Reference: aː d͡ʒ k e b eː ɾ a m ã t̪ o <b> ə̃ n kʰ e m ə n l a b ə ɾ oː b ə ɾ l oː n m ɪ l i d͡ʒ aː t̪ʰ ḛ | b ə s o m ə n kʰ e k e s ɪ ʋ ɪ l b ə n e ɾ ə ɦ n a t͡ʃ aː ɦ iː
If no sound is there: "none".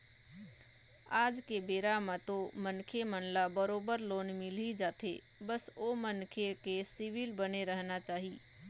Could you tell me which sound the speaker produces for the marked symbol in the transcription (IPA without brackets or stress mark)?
m